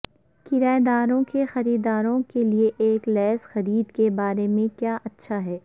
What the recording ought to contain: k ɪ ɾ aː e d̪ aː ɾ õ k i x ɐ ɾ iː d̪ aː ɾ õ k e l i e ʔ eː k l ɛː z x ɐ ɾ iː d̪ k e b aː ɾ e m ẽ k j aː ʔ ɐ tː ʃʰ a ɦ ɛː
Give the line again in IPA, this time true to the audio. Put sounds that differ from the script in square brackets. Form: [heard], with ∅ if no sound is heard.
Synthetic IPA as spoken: k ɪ ɾ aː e d̪ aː ɾ õ k [e] x ɐ ɾ iː d̪ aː ɾ õ k e l i e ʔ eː k l ɛː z x ɐ ɾ iː d̪ k e b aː ɾ e m ẽ k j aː ʔ ɐ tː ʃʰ a ɦ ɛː